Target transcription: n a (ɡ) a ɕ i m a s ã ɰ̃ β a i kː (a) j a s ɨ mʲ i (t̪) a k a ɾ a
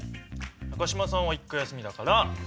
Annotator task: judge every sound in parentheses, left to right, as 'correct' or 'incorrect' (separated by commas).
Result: incorrect, correct, incorrect